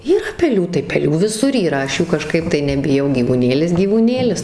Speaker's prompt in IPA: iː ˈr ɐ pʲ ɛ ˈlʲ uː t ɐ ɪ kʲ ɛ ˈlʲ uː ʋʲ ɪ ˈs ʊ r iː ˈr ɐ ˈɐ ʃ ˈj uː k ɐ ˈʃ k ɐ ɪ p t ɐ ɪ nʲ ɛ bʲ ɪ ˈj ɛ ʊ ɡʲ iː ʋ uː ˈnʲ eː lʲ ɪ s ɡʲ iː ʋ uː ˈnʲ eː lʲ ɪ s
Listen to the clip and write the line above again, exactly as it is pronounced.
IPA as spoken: iː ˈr ɐ pʲ ɛ ˈlʲ uː t ɐ ɪ pʲ ɛ ˈlʲ uː ʋʲ ɪ ˈs ʊ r iː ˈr ɐ ˈɐ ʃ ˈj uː k ɐ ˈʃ k ɐ ɪ p t ɐ ɪ nʲ ɛ bʲ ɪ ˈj ɛ ʊ ɡʲ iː ʋ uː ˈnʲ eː lʲ ɪ s ɡʲ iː ʋ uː ˈnʲ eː lʲ ɪ s